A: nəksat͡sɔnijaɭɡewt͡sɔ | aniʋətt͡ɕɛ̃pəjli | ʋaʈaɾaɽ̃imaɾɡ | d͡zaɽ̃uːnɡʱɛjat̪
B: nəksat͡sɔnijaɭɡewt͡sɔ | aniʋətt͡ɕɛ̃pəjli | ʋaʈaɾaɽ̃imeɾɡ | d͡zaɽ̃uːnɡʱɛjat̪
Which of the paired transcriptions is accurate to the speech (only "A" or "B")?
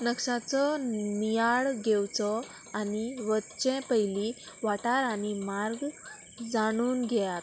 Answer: A